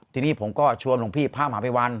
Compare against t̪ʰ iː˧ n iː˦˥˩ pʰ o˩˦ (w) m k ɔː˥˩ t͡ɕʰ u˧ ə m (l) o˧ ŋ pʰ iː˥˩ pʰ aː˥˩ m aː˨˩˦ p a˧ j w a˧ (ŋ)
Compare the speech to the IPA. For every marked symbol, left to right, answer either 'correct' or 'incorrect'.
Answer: incorrect, correct, incorrect

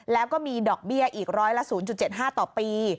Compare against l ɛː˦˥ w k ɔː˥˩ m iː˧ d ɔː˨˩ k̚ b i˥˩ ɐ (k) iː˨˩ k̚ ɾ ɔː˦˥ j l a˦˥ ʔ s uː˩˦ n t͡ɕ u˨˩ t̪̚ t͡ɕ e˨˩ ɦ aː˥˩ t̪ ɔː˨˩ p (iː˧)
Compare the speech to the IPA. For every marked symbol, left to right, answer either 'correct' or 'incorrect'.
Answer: incorrect, correct

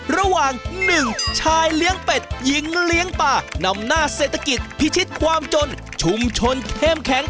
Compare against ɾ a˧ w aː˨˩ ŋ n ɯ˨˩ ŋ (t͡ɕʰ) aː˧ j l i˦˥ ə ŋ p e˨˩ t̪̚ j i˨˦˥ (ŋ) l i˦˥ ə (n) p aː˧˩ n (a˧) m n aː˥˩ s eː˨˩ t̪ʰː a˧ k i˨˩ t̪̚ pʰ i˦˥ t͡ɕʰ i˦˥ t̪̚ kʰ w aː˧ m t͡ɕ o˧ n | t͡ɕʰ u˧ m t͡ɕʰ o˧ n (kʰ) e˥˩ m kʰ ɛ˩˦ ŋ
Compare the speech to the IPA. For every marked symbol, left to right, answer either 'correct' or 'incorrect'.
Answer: correct, correct, incorrect, correct, correct

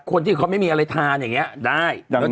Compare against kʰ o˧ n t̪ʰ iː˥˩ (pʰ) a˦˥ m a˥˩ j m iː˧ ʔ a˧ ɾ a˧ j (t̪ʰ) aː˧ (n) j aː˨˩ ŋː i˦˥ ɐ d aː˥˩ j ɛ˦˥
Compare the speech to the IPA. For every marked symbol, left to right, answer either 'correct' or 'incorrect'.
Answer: incorrect, correct, correct

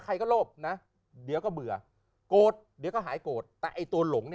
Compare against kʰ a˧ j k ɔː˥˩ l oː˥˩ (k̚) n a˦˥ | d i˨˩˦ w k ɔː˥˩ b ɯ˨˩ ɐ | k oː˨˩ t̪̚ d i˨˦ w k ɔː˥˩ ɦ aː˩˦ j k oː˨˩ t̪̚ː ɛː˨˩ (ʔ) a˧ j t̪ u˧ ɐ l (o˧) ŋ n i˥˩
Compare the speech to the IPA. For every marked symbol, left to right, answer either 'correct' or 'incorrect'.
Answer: incorrect, correct, incorrect

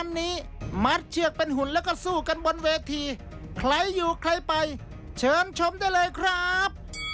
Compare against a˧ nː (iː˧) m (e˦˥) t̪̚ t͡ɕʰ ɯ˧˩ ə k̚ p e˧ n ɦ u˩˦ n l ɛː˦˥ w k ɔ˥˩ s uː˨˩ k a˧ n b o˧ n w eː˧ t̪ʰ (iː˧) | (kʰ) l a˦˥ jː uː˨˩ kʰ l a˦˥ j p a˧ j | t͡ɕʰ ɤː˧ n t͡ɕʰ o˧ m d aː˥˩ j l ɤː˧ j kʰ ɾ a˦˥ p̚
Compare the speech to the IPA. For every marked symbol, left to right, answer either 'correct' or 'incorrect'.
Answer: incorrect, incorrect, correct, correct

